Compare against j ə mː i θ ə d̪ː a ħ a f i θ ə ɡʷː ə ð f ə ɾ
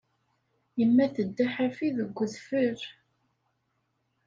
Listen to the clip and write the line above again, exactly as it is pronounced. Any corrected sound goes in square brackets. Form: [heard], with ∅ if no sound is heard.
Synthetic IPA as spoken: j ə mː [æ] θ ə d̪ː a ħ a f i [ð] ə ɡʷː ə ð f ə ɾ